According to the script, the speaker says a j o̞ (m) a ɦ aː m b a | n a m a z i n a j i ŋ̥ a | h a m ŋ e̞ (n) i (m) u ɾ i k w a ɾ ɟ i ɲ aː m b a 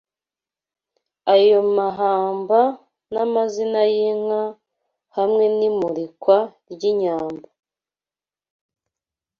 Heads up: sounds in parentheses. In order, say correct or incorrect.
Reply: correct, correct, correct

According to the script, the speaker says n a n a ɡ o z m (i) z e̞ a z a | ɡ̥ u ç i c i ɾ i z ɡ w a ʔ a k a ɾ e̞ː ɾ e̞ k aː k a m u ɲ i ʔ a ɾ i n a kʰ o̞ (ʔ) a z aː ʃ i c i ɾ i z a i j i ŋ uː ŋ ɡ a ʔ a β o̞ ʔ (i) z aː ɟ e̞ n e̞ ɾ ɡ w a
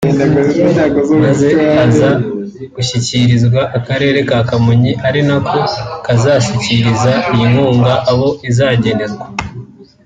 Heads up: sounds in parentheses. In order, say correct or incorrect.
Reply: incorrect: a, incorrect: k, correct

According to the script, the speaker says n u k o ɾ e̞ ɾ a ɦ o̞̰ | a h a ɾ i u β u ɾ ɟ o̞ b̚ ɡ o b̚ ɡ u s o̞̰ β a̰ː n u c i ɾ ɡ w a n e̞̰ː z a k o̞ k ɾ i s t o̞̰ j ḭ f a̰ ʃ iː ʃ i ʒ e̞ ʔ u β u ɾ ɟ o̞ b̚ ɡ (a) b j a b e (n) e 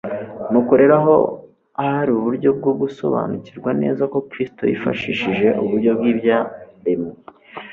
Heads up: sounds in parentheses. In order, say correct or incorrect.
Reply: incorrect: i, incorrect: m

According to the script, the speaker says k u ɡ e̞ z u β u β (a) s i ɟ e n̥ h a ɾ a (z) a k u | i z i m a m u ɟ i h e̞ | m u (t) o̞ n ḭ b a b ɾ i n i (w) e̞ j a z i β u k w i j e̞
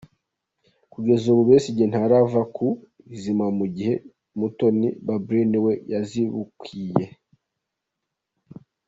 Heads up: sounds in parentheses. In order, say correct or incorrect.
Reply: incorrect: e, incorrect: v, correct, correct

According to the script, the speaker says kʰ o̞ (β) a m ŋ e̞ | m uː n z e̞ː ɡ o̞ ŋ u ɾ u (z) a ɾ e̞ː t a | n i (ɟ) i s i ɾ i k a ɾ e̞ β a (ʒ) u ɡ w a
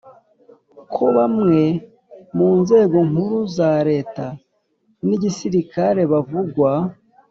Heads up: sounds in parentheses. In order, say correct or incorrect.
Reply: correct, correct, correct, incorrect: v

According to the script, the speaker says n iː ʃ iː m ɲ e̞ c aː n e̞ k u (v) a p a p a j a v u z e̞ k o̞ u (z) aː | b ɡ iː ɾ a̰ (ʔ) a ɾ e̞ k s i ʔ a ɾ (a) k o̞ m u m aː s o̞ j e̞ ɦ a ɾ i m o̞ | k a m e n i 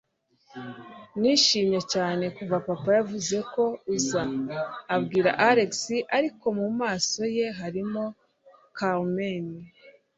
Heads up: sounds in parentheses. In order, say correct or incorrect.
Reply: correct, correct, correct, incorrect: i

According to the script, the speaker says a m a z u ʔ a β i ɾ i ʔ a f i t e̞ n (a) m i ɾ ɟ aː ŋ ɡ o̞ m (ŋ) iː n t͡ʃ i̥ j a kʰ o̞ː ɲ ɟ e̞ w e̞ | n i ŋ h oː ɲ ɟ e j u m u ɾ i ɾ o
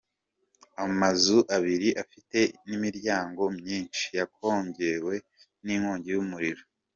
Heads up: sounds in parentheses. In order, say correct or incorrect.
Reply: incorrect: i, incorrect: ɲ

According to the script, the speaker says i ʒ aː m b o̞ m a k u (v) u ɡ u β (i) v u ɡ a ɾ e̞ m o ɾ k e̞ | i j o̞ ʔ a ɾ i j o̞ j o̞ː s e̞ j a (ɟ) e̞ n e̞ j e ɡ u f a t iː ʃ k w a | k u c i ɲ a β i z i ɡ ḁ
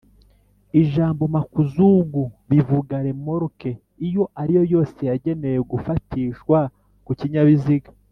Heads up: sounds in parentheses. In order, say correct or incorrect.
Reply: incorrect: z, correct, correct

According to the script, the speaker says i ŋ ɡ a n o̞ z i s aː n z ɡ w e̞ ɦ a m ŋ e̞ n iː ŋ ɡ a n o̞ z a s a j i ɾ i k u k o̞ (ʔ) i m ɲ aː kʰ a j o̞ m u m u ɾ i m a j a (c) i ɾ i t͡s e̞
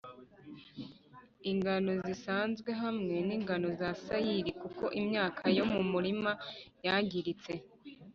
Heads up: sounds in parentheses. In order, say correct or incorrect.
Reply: correct, incorrect: ɟ

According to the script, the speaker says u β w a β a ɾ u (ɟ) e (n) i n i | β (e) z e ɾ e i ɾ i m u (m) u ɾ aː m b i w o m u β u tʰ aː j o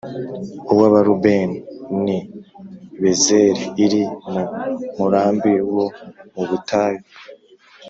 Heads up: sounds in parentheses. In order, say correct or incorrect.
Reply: incorrect: b, correct, correct, correct

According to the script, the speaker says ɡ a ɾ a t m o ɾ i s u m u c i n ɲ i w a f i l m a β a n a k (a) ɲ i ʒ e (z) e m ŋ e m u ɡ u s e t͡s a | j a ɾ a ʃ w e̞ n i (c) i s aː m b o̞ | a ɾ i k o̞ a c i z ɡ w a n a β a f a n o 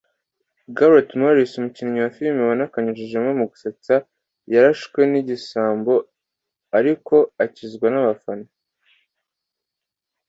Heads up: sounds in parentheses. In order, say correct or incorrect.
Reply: correct, incorrect: ʒ, incorrect: ɟ

